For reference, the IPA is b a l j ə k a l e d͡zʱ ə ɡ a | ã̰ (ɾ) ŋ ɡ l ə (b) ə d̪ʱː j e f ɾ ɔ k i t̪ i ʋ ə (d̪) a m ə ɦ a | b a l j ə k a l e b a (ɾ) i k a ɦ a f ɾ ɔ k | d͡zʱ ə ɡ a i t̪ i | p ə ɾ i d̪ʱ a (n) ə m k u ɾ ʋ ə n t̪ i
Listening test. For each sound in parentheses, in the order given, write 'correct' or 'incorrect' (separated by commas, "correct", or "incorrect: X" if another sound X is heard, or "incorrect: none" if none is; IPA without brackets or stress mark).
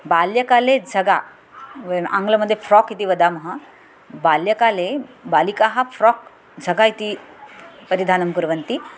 incorrect: none, incorrect: m, correct, incorrect: l, correct